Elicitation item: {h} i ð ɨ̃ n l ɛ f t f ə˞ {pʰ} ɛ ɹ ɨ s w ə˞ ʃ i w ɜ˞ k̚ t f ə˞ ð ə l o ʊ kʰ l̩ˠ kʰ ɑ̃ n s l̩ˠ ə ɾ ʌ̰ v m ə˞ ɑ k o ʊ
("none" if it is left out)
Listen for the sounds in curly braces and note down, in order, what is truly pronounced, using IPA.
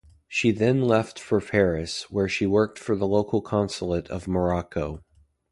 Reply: ʃ, pʰ

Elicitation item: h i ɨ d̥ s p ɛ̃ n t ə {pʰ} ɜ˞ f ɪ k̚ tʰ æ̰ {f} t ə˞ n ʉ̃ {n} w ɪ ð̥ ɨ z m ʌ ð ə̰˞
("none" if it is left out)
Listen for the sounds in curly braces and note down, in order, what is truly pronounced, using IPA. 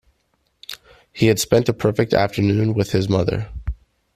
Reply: pʰ, f, n

